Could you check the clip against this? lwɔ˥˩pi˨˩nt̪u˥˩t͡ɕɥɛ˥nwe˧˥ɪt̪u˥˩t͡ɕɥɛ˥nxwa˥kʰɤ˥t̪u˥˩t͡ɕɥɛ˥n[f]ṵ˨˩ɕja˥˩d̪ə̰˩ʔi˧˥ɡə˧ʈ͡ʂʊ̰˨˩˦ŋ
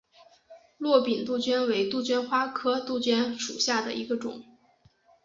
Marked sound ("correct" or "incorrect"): incorrect